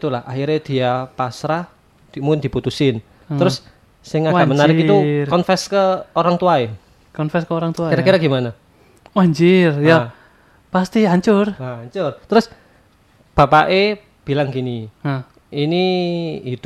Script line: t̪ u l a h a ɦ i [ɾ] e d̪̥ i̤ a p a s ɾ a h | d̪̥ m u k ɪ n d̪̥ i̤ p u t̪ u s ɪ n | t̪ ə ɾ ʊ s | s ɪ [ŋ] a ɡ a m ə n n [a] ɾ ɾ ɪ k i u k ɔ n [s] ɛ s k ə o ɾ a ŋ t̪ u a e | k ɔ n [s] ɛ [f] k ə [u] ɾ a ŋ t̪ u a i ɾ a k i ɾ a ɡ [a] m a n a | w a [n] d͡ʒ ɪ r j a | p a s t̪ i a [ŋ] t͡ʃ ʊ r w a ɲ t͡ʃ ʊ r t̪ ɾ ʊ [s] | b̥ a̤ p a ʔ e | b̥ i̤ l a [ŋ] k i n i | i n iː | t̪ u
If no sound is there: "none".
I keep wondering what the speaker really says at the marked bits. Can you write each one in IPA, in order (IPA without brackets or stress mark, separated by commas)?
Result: ɾ, ŋ, a, f, f, s, o, i, ɲ, ɲ, s, ŋ